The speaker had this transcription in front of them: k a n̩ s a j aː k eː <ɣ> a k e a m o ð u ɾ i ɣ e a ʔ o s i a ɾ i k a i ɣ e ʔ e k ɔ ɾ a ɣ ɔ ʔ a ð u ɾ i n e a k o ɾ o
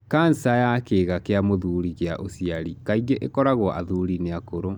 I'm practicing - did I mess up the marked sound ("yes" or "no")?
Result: no